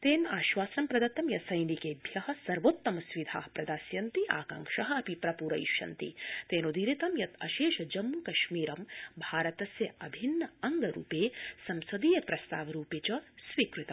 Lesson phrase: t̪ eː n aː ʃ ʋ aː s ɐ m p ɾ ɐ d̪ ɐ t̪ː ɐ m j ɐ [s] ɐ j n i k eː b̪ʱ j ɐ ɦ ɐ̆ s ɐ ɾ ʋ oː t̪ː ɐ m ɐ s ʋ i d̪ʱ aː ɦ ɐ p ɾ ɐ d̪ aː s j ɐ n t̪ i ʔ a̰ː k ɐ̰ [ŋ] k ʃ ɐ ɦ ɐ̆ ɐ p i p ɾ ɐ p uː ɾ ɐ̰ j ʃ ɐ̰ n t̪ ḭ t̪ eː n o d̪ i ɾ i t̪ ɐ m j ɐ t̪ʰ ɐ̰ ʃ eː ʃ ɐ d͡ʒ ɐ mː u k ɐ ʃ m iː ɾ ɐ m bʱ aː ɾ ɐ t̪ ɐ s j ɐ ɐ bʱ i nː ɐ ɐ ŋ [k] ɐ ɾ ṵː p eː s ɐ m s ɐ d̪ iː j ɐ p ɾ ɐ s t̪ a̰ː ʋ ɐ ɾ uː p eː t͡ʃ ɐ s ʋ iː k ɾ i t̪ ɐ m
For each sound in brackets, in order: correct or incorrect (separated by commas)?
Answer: correct, correct, incorrect